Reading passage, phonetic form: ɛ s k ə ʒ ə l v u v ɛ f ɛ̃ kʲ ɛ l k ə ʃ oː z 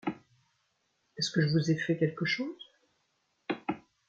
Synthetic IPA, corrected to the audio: ɛ s k ə ʒ ə v u z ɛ f ɛ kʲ ɛ l k ə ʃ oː z